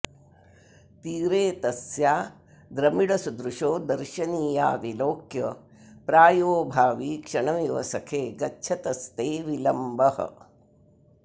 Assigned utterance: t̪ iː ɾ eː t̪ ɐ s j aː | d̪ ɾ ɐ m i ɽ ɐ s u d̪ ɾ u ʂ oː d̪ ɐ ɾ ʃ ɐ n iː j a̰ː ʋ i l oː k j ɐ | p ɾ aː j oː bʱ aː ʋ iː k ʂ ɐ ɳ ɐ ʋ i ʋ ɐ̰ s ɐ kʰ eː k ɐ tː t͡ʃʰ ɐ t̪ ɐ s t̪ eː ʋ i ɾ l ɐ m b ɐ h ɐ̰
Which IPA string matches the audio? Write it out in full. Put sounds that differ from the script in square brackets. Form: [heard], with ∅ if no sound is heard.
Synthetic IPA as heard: t̪ iː ɾ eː t̪ ɐ s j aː | d̪ ɾ ɐ m i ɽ ɐ s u d̪ ɾ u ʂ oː d̪ ɐ ɾ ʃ ɐ n iː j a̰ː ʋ i l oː k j ɐ | p ɾ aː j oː bʱ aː ʋ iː k ʂ ɐ ɳ ɐ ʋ i ʋ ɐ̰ s ɐ kʰ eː [ɡ] ɐ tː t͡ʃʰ ɐ t̪ ɐ s t̪ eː ʋ i [∅] l ɐ m b ɐ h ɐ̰